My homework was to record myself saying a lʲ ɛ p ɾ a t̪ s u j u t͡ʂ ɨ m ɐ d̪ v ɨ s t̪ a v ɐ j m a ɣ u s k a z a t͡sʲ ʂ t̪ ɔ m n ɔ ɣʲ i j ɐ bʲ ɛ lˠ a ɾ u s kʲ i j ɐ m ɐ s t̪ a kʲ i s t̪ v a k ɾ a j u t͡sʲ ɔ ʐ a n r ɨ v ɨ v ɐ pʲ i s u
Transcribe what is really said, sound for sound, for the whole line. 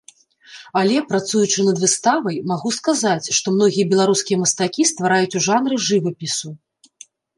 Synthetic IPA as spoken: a lʲ ɛ p ɾ a t̪ s u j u t͡ʂ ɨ n ɐ d̪ v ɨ s t̪ a v ɐ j m a ɣ u s k a z a t͡sʲ ʂ t̪ ɔ m n ɔ ɣʲ i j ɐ bʲ ɛ lˠ a ɾ u s kʲ i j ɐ m ɐ s t̪ a kʲ i s t̪ v a ɾ a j u t͡sʲ u ʐ a n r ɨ ʐ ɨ v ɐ pʲ i s u